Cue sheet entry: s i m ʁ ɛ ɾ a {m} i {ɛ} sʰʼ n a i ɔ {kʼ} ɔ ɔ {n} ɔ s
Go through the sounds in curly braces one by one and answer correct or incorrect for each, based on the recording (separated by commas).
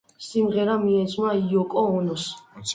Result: correct, correct, correct, correct